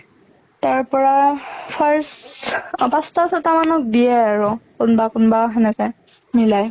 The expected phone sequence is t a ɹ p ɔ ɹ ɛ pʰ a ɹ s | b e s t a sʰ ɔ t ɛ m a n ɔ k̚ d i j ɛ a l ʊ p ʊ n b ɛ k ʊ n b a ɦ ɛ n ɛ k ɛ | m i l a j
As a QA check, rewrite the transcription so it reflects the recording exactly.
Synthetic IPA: t a ɹ p ɔ ɹ a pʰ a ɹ s | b a s t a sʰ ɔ t a m a n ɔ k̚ d i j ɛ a ɹ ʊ k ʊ n b a k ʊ n b a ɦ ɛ n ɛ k ɛ | m i l a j

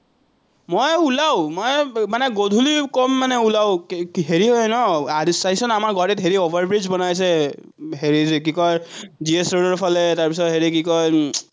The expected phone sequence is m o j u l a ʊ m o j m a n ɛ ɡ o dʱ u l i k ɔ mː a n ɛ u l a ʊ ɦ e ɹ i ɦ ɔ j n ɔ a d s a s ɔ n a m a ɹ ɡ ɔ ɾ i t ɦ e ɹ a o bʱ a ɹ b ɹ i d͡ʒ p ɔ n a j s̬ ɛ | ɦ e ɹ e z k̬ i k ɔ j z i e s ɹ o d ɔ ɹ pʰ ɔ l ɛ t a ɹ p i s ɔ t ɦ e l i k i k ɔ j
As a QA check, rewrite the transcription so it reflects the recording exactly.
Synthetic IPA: m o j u l a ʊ m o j m a n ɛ ɡ o dʱ u l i k ɔ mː a n ɛ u l a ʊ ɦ e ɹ i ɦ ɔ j n ɔ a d s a s ɔ n a m a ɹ ɡ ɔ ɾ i t ɦ e ɹ i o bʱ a ɹ b ɹ i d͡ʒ b ɔ n a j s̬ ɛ | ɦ e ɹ i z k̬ i k ɔ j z i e s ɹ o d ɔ ɹ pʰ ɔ l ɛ t a ɹ p i s ɔ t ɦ e ɹ i k i k ɔ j

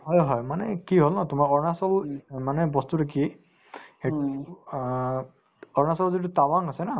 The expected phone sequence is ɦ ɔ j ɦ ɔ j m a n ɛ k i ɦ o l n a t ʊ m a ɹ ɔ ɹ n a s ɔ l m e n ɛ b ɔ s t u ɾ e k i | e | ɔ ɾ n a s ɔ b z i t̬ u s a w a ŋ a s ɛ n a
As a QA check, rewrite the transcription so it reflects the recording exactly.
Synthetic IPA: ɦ ɔ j ɦ ɔ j m a n ɛ k i ɦ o l n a t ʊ m a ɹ ɔ ɹ n a s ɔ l m a n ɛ b ɔ s t u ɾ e k i | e | ɔ ɹ n a s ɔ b z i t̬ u t a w a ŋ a s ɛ n a

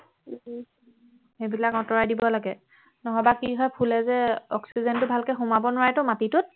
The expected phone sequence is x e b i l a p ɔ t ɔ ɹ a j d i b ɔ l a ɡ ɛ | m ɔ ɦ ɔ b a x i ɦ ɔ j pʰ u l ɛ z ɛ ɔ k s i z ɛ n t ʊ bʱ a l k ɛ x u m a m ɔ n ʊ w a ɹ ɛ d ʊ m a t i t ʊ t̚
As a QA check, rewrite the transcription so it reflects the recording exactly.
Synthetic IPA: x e b i l a k ɔ t ɔ ɹ a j d i b ɔ l a ɡ ɛ | n ɔ ɦ ɔ b a k i ɦ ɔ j pʰ u l ɛ z ɛ ɔ k s i z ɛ n t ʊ bʱ a l k ɛ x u m a b ɔ n ʊ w a ɹ ɛ t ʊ m a t i t ʊ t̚

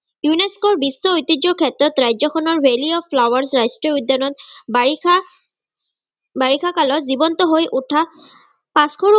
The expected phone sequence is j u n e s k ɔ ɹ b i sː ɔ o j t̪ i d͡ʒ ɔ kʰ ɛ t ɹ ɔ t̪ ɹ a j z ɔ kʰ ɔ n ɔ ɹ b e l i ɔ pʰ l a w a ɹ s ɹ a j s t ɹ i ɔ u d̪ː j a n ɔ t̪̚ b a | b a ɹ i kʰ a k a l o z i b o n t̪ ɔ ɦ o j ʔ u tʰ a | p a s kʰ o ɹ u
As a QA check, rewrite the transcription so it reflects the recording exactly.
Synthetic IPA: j u n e s k ɔ ɹ b i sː ɔ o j t̪ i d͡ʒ ɔ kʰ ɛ t ɹ ɔ t̪ ɹ a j z ɔ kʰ ɔ n ɔ ɹ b e l i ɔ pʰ l a w a ɹ s ɹ a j s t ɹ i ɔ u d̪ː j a n ɔ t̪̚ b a | b a ɹ i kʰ a k a l ɔ z i b ɔ n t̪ ɔ ɦ o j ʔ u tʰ a | p a s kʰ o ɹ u

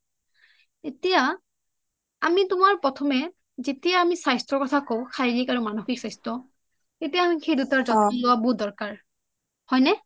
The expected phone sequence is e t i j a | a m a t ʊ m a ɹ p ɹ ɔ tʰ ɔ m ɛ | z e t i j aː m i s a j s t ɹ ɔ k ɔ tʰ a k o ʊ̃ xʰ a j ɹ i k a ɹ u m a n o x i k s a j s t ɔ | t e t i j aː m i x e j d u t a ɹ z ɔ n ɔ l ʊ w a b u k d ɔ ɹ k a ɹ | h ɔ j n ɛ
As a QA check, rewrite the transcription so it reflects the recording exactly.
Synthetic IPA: e t i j a | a m i t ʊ m a ɹ p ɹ ɔ tʰ ɔ m ɛ | z e t i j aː m i s a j s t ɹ ɔ k ɔ tʰ a k o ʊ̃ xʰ a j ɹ i k a ɹ u m a n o x i k s a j s t ɔ | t e t i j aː m i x e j d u t a ɹ z ɔ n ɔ l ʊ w a b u d ɔ ɹ k a ɹ | h ɔ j n ɛ

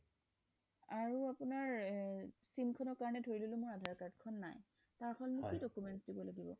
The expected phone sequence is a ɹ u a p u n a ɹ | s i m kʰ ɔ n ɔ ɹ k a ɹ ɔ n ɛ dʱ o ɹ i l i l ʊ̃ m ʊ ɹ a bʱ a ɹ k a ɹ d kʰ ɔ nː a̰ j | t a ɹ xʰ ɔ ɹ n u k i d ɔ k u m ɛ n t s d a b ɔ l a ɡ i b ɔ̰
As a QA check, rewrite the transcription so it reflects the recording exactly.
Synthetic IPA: a ɹ u a p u n a ɹ | s i m kʰ ɔ n ɔ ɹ k a ɹ ɔ n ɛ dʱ o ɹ i l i l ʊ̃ m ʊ ɹ a dʱ a ɹ k a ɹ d kʰ ɔ nː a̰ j | t a ɹ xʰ ɔ l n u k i d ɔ k u m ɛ n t s d i b ɔ l a ɡ i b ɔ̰

